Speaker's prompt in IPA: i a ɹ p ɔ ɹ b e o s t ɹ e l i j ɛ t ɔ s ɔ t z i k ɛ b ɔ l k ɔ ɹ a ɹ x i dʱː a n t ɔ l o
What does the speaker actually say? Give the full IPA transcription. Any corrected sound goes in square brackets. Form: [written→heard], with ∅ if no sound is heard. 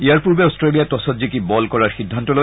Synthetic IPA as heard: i a ɹ p [ɔ→u] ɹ b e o s t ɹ e l i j [ɛ→a] t ɔ s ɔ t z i k [ɛ→i] b ɔ l k ɔ ɹ a ɹ x i dʱː a n t ɔ l o

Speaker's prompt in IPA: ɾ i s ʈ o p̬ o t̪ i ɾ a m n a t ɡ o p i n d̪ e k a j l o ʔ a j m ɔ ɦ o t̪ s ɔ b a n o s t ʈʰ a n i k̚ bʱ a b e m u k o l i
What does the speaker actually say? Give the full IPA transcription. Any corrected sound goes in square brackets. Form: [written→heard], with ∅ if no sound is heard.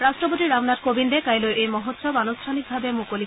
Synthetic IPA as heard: ɾ [i→a] s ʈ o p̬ o t̪ i ɾ a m n a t [ɡ→k] o [p→b] i n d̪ e k a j l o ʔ [a→e] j m ɔ ɦ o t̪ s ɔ b a n o s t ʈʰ a n i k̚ bʱ a b e m u k o l i

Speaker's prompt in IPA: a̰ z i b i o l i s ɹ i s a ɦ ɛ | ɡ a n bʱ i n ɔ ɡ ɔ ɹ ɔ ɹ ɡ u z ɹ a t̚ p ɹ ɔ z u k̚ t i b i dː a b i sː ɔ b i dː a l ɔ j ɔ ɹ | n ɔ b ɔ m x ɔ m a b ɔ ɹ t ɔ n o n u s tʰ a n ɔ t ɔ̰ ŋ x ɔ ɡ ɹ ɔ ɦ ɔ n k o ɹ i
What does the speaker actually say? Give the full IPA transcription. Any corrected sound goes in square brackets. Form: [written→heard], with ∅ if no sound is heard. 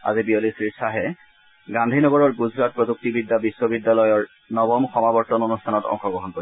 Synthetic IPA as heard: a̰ z i b i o l i s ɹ i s a ɦ ɛ | ɡ a n [bʱ→dʱ] i n ɔ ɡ ɔ ɹ ɔ ɹ ɡ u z ɹ a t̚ p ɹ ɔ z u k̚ t i b i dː a b i sː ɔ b i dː a l ɔ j ɔ ɹ | n ɔ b ɔ m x ɔ m a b ɔ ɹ t ɔ n o n u s tʰ a n ɔ t ɔ̰ ŋ x ɔ ɡ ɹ ɔ ɦ ɔ n k o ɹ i

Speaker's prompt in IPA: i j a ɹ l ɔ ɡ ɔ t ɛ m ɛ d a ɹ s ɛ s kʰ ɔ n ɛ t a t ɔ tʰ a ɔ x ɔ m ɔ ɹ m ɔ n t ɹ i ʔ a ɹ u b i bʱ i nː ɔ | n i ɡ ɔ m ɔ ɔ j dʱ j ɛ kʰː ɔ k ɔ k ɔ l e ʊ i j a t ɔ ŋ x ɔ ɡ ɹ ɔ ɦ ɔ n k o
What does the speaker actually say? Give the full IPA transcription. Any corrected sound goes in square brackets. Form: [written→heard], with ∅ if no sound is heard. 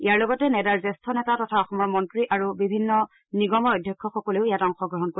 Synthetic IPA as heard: i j a ɹ l ɔ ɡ ɔ t ɛ [m→n] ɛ d a ɹ [s→z] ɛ s [kʰ→tʰ] ɔ n ɛ t a t ɔ tʰ a ɔ x ɔ m ɔ ɹ m ɔ n t ɹ i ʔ a ɹ u b i bʱ i nː ɔ | n i ɡ ɔ m ɔ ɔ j dʱ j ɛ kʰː ɔ [k→x] ɔ k ɔ l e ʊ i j a t ɔ ŋ x ɔ ɡ ɹ ɔ ɦ ɔ n k o

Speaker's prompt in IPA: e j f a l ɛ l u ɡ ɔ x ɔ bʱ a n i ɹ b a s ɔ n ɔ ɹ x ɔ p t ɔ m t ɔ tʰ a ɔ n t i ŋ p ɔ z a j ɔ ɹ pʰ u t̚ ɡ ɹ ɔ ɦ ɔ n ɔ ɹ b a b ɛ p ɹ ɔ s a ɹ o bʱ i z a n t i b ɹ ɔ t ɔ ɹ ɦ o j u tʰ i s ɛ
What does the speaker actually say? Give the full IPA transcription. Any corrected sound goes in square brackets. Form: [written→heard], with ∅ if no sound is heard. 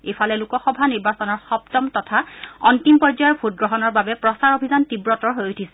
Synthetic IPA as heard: e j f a l ɛ l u [ɡ→k] ɔ x ɔ bʱ a n i ɹ b a s ɔ n ɔ ɹ x ɔ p t ɔ m t ɔ tʰ a ɔ n t i [ŋ→m] p ɔ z a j ɔ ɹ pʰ u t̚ ɡ ɹ ɔ ɦ ɔ n ɔ ɹ b a b ɛ p ɹ ɔ s a ɹ o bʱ i z a n t i b ɹ ɔ t ɔ ɹ ɦ o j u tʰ i s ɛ

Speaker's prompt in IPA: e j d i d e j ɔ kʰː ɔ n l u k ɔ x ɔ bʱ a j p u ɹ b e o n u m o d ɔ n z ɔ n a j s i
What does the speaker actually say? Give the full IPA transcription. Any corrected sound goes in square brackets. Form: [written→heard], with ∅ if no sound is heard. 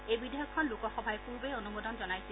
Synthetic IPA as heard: e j [d→b] i d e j ɔ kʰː ɔ n l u k ɔ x ɔ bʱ a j p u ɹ b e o n u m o d ɔ n z ɔ n a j s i

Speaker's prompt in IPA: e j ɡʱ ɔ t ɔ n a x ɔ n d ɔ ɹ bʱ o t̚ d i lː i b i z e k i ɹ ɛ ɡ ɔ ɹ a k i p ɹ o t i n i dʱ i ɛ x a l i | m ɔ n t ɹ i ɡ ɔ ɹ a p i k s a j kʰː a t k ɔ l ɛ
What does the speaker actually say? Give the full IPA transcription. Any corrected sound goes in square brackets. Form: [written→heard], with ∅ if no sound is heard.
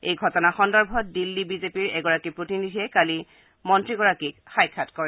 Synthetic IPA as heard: e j ɡʱ ɔ t ɔ n a x ɔ n d ɔ ɹ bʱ [o→ɔ] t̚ d i lː i b i z e [k→p] i ɹ ɛ ɡ ɔ ɹ a k i p ɹ o t i n i dʱ i ɛ [x→k] a l i | m ɔ n t ɹ i ɡ ɔ ɹ a [p→k] i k [s→x] a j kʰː a t k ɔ [l→ɹ] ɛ

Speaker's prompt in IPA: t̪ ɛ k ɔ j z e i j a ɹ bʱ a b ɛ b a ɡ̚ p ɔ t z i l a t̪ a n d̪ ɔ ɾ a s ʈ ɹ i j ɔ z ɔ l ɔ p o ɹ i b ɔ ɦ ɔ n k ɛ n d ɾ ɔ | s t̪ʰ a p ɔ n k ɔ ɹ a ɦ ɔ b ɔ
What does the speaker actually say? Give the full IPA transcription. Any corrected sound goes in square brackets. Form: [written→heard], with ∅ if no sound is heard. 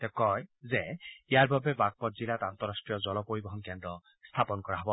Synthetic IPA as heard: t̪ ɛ k ɔ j z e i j a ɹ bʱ a b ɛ b a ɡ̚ p ɔ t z i l a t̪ a n [d̪→t̪] ɔ ɾ a s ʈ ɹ i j ɔ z ɔ l ɔ p o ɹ i b ɔ ɦ ɔ n k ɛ n d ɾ ɔ | s t̪ʰ a p ɔ n k ɔ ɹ a ɦ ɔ b ɔ

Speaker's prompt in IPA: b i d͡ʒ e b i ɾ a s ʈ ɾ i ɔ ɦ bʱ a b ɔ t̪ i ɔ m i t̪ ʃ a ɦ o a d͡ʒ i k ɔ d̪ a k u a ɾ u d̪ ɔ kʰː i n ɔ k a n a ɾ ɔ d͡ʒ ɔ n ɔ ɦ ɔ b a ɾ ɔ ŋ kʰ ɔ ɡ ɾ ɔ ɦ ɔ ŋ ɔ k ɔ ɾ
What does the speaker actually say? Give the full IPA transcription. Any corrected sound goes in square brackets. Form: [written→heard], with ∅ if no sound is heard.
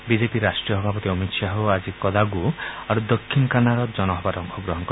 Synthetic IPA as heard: b i d͡ʒ e [b→p] i ɾ a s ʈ ɾ i ɔ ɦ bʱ a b ɔ t̪ i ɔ m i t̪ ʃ a ɦ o a d͡ʒ i k ɔ d̪ a [k→ɡ] u a ɾ u d̪ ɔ kʰː i n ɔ k a n a ɾ ɔ d͡ʒ ɔ n ɔ ɦ ɔ b a ɾ ɔ ŋ kʰ ɔ ɡ ɾ ɔ ɦ ɔ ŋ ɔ k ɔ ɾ

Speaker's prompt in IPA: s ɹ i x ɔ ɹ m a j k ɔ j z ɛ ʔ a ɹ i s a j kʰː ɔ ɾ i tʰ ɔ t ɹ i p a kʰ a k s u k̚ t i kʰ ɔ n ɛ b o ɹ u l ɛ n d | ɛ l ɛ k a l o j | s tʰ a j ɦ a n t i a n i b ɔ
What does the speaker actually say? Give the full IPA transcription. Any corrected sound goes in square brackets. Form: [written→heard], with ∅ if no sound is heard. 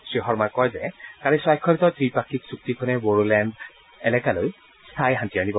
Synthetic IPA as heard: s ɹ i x ɔ ɹ m a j k ɔ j z ɛ [ʔ→k] a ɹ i s a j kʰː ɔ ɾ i [tʰ→t] ɔ t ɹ i p a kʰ [a→i] k s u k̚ t i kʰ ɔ n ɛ b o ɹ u l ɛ n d | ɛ l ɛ k a l o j | s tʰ a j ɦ a n t i a n i b ɔ

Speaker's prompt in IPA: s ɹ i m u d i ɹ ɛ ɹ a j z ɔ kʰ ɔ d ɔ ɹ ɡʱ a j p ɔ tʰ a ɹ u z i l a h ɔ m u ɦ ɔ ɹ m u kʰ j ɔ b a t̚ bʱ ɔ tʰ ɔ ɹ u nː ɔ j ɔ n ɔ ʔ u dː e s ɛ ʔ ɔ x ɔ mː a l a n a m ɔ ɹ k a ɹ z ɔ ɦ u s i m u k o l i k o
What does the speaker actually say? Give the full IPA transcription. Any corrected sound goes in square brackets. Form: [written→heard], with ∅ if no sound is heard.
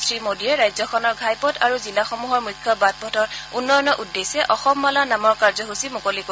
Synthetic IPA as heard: s ɹ i m [u→o] d i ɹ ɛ ɹ a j z ɔ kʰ ɔ [d→n] ɔ ɹ ɡʱ a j p ɔ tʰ a ɹ u z i l a [h→x] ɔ m u ɦ ɔ ɹ m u kʰ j ɔ b a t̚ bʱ ɔ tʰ ɔ ɹ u nː ɔ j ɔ n ɔ ʔ u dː e s ɛ ʔ ɔ x ɔ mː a l a n a m ɔ ɹ k a ɹ z ɔ ɦ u s i m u k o l i k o

